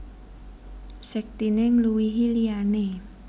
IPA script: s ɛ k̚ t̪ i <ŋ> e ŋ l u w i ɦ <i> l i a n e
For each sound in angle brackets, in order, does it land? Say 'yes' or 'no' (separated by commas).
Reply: no, yes